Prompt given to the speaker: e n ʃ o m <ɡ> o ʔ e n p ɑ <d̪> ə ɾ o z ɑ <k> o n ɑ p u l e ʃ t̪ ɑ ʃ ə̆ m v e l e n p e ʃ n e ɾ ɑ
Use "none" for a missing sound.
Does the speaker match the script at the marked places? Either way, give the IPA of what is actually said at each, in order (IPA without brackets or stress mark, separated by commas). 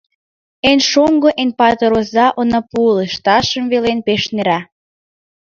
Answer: ɡ, t̪, ʔ